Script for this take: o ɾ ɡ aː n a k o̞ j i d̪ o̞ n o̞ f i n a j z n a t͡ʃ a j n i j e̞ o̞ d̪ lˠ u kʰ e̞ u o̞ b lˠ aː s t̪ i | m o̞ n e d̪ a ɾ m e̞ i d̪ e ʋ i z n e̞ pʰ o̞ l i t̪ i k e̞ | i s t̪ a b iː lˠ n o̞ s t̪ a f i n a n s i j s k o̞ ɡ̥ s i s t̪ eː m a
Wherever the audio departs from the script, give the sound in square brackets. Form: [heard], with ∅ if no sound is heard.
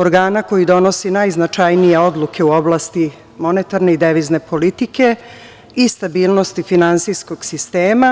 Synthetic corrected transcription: o ɾ ɡ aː n a k o̞ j i d̪ o̞ n o̞ [s] i n a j z n a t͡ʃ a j n i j e̞ o̞ d̪ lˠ u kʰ e̞ u o̞ b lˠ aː s t̪ i | m o̞ n e [t̪] a ɾ [n] e̞ i d̪ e ʋ i z n e̞ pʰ o̞ l i t̪ i k e̞ | i s t̪ a b iː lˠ n o̞ s t̪ [i] f i n a n s i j s k o̞ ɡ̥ s i s t̪ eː m a